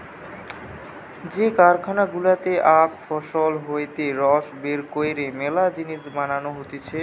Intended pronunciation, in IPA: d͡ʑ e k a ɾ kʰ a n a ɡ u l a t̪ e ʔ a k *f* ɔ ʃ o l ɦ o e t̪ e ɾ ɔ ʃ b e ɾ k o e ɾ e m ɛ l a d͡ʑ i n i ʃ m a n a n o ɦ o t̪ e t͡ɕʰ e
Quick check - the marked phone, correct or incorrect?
correct